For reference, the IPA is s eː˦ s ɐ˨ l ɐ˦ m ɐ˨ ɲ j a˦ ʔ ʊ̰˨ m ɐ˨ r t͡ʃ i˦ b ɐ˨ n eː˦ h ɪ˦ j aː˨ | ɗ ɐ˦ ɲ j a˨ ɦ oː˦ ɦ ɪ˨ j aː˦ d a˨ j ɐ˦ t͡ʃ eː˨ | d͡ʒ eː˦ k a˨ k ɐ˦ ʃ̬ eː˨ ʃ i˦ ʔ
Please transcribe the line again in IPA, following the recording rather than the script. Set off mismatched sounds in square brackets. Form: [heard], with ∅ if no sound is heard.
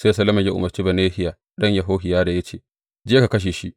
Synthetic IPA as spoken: s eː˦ s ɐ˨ l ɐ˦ m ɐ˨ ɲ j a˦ ʔ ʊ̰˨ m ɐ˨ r t͡ʃ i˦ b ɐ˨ n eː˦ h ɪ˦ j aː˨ | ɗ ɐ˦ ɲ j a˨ ɦ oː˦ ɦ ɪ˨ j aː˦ d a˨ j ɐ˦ t͡ʃ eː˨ | d͡ʒ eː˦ k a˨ k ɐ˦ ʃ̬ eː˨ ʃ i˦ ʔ

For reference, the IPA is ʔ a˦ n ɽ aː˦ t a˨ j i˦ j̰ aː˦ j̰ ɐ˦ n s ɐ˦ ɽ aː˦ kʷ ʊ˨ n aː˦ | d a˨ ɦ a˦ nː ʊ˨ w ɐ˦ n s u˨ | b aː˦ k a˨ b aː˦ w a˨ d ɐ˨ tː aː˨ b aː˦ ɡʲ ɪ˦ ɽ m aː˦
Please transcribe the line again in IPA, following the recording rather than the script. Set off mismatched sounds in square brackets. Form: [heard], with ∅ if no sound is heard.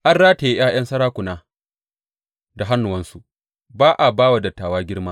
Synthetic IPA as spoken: ʔ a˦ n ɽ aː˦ t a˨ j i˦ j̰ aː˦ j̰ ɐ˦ n s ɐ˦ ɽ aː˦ kʷ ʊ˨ n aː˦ | d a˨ ɦ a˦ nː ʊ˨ w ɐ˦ n s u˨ | b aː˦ [ʔ] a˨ b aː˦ w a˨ d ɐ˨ tː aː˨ [w] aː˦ ɡʲ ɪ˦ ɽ m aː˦

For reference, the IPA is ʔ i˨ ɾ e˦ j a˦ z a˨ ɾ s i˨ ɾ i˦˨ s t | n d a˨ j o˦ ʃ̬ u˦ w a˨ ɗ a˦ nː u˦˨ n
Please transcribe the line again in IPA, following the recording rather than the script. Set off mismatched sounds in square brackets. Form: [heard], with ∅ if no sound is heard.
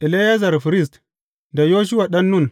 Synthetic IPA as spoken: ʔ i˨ [l] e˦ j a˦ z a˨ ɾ [f] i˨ ɾ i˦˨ s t | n d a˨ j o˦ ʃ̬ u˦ w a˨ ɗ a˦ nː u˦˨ n

